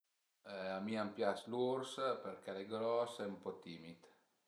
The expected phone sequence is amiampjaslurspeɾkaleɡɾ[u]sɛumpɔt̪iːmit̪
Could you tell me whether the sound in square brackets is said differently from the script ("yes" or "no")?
yes